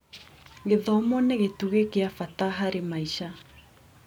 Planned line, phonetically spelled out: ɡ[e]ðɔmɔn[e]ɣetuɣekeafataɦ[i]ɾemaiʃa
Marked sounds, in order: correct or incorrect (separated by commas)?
correct, correct, incorrect